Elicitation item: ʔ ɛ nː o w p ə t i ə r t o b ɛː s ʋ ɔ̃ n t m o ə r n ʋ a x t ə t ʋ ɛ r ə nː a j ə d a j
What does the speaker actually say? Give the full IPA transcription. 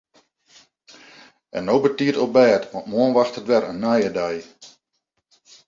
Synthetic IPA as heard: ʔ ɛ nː o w b ə t i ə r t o b ɛː t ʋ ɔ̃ n t m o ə n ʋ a x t ə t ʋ ɛ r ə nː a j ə d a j